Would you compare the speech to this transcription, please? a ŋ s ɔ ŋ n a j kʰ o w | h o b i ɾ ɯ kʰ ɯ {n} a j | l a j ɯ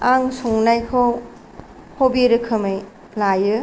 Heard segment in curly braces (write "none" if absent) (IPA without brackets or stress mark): m